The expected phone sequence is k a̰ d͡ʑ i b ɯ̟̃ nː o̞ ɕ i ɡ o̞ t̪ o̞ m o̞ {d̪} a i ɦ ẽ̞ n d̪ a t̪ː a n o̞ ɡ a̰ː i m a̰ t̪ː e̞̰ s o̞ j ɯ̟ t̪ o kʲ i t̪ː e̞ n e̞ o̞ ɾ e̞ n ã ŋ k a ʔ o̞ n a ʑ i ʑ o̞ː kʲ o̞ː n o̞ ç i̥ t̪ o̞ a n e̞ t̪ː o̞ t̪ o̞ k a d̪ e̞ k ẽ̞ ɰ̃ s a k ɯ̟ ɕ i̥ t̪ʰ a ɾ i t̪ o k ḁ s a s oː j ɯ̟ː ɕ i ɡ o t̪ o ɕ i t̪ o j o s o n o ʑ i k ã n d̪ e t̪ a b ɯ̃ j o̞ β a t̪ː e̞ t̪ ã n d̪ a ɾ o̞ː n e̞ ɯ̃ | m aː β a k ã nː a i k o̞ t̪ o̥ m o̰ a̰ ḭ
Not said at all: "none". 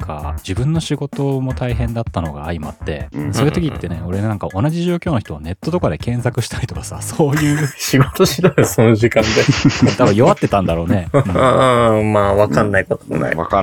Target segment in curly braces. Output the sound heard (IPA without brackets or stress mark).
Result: t̪